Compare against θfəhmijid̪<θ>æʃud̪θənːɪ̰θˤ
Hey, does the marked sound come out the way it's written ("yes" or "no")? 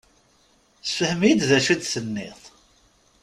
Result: no